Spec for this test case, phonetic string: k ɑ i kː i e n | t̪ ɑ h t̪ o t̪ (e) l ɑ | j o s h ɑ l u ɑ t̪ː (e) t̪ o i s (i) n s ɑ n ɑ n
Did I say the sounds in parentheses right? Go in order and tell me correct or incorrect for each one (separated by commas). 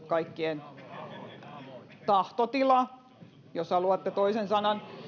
incorrect, correct, incorrect